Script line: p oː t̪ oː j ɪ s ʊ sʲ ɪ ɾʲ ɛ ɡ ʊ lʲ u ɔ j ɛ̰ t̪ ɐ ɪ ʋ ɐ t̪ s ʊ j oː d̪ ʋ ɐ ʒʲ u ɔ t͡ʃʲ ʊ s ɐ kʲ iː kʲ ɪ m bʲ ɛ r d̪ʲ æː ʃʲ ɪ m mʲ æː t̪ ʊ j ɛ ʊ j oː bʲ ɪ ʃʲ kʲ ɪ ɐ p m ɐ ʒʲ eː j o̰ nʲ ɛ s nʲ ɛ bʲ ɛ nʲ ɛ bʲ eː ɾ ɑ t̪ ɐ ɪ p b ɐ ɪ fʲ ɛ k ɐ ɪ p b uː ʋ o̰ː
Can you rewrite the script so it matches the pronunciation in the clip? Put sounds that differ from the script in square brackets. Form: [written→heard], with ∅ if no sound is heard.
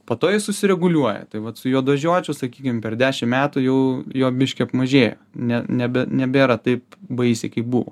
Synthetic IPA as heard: p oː t̪ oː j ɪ s ʊ sʲ ɪ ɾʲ ɛ ɡ ʊ lʲ u ɔ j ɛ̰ t̪ ɐ ɪ ʋ ɐ t̪ s ʊ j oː d̪ ʋ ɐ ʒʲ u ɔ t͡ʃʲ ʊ s ɐ kʲ iː kʲ ɪ m [bʲ→pʲ] ɛ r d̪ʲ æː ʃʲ ɪ m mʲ æː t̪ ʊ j ɛ ʊ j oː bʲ ɪ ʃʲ kʲ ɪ ɐ p m ɐ ʒʲ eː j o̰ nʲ ɛ [s→∅] nʲ ɛ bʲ ɛ nʲ ɛ bʲ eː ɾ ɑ t̪ ɐ ɪ p b ɐ ɪ [fʲ→sʲ] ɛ k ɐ ɪ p b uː ʋ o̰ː